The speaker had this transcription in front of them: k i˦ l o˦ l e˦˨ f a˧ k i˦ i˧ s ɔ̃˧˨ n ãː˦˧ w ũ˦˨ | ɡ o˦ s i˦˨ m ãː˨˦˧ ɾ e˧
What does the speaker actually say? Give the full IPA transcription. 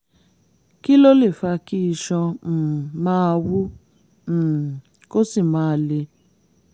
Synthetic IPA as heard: k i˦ l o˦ l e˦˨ f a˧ k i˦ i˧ ʃ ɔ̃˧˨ m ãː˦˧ w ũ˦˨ | k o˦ s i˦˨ m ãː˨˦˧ l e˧